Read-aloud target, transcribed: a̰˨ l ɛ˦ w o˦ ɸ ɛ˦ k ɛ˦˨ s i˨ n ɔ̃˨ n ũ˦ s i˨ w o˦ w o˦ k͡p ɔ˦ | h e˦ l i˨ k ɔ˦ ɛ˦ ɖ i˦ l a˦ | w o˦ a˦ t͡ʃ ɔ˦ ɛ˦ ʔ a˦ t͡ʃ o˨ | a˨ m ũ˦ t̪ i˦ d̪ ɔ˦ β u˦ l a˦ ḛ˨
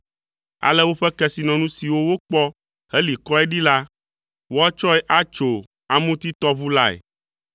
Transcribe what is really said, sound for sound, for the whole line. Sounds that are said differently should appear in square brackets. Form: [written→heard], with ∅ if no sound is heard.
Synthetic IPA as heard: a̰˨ l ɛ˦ w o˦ ɸ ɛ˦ k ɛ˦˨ s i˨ n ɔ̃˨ n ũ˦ s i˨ w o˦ w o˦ k͡p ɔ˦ | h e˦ l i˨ k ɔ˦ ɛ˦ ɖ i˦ l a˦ | w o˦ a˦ t͡ʃ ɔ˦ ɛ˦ ʔ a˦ t͡ʃ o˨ | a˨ m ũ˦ t̪ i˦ [d̪→t̪] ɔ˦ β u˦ l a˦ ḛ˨